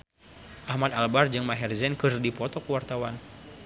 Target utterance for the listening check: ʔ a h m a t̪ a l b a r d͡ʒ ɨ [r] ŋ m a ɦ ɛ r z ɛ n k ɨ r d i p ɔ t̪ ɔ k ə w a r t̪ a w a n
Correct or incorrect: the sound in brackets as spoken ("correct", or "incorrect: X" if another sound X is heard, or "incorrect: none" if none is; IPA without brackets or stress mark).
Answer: incorrect: none